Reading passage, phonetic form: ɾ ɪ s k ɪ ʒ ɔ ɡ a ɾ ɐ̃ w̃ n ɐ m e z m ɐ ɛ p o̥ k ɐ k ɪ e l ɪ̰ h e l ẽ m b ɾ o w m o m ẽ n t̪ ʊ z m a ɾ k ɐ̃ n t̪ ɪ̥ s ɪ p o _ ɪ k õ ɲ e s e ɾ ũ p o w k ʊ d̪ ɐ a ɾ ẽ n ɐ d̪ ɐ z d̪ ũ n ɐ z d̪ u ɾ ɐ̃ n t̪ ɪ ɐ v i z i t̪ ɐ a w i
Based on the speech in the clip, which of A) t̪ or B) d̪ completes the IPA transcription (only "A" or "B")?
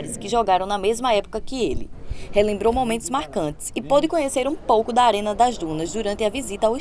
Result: B